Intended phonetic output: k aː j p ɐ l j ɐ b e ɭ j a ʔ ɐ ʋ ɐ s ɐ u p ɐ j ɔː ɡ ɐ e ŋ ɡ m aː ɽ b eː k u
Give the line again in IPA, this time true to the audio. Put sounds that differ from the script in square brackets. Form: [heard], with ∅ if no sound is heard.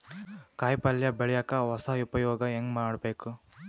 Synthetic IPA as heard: k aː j p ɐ l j ɐ b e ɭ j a [k] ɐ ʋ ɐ s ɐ u p ɐ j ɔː ɡ ɐ e ŋ ɡ m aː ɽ b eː k u